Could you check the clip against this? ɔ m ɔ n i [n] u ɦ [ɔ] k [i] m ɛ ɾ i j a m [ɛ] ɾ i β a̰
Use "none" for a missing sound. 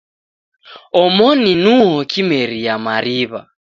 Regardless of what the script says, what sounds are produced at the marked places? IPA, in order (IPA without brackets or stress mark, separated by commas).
n, ɔ, i, a